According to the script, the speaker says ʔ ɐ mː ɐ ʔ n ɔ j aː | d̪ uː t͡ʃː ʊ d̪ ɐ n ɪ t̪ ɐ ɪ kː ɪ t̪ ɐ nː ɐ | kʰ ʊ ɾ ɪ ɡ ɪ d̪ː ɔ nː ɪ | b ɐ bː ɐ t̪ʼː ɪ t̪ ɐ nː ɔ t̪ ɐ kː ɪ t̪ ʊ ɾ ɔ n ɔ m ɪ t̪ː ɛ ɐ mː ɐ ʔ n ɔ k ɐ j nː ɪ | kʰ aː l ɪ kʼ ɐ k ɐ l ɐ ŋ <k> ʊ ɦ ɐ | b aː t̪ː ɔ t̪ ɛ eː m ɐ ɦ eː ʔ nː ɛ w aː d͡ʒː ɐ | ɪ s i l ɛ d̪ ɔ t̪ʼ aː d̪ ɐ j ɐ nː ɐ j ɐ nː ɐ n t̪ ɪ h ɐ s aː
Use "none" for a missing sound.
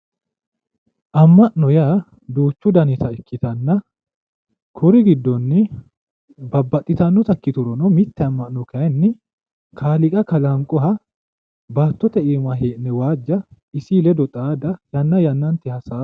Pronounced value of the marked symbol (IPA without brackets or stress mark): kʼ